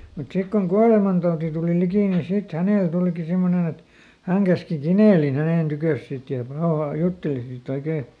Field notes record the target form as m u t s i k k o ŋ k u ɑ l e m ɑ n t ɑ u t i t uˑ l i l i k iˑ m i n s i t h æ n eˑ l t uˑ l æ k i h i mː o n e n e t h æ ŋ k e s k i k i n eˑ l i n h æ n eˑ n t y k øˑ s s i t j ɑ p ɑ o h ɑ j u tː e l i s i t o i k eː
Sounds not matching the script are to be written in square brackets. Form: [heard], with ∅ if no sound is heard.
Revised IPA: m u t s i k k o ŋ k u ɑ l e m ɑ n t ɑ u t i t uˑ l i l i k iˑ [n] i n s i t h æ n eˑ l t uˑ l [i] k i [s] i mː o n e n e t h æ ŋ k [æ] s k i k i n eˑ l i n h æ n eˑ n t y k øˑ s s i t j ɑ p ɑ o h ɑ j u tː e l i s i t o i k eː